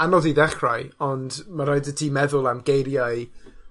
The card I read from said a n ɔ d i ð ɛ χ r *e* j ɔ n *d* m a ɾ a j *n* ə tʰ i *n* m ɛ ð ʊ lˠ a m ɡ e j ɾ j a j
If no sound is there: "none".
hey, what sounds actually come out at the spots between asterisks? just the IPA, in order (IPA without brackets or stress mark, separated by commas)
a, d, d, none